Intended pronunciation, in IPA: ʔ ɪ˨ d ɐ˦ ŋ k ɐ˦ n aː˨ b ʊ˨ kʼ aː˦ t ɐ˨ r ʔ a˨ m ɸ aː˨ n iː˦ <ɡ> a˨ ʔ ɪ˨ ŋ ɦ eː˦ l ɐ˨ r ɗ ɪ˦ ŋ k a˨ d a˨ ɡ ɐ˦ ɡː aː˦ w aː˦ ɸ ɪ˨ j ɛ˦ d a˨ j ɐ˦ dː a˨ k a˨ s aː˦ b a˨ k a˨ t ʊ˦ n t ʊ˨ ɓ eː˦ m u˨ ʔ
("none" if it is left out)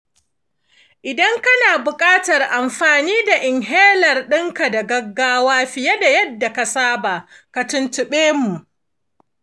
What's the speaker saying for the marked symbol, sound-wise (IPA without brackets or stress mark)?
d